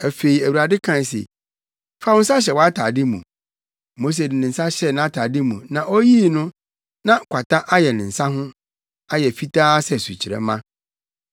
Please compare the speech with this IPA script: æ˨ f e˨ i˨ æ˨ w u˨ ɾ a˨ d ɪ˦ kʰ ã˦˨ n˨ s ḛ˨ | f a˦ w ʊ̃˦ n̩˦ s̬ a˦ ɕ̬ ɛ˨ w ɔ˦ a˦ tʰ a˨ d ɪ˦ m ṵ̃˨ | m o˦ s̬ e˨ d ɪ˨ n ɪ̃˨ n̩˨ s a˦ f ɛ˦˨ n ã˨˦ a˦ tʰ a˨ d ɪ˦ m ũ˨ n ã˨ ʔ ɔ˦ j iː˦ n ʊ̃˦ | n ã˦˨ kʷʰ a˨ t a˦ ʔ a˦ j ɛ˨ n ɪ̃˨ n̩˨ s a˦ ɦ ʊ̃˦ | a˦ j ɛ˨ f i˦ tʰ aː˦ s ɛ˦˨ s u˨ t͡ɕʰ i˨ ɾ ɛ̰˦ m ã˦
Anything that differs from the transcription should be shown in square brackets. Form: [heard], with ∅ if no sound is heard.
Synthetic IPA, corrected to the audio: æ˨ f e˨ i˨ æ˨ w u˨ ɾ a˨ d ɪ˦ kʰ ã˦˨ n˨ s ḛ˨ | f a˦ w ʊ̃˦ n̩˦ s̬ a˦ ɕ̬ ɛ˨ w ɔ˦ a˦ tʰ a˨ d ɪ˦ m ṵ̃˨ | m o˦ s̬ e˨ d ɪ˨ n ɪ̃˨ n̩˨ s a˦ [ɕ] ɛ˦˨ n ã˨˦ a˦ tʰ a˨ d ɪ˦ m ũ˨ n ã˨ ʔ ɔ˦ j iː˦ n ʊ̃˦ | n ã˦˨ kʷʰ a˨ t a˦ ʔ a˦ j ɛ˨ n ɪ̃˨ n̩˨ s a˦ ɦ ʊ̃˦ | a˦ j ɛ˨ f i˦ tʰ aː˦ s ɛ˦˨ s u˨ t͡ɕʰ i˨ ɾ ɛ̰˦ m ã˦